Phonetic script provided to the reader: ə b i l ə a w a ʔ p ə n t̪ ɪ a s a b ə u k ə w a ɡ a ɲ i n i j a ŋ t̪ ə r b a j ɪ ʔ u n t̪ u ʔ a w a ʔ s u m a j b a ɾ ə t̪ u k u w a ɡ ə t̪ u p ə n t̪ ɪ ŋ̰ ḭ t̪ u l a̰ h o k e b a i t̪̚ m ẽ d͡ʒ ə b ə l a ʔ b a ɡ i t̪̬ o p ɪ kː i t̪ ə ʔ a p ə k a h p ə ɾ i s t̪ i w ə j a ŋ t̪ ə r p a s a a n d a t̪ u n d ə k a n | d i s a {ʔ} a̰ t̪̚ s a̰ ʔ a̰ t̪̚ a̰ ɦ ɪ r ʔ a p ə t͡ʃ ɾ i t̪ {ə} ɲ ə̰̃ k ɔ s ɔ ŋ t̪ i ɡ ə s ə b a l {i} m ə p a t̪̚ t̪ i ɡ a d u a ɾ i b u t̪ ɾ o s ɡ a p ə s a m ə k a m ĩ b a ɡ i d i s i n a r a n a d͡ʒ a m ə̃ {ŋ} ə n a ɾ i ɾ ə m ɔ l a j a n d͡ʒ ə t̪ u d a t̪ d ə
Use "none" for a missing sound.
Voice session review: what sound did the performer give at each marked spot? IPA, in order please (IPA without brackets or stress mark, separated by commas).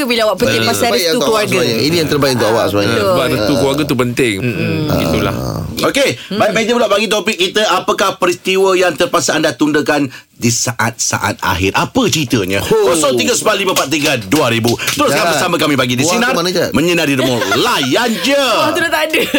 ʔ, ə, i, ɲ